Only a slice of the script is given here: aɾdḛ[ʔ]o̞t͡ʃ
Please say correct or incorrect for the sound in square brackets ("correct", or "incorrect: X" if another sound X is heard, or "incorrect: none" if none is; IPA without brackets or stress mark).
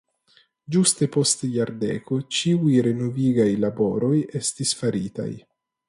incorrect: k